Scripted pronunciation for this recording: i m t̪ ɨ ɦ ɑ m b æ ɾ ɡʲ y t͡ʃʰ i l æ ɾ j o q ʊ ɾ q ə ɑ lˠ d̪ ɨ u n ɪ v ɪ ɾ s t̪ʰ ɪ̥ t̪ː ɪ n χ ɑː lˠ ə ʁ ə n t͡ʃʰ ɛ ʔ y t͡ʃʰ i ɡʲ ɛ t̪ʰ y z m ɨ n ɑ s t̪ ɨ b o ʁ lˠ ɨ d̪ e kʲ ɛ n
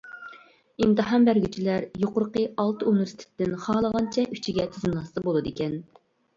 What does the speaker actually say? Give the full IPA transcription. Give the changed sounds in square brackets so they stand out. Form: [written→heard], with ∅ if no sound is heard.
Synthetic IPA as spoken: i m t̪ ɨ ɦ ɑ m b æ ɾ ɡʲ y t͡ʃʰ i l æ ɾ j o q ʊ ɾ q ə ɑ lˠ [d̪→t̪] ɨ u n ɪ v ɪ ɾ s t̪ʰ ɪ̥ t̪ː ɪ n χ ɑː lˠ ə ʁ [ə→ɑ] n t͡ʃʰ ɛ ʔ y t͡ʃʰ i ɡʲ ɛ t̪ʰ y z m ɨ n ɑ s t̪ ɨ b o [ʁ→∅] lˠ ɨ d̪ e kʲ ɛ n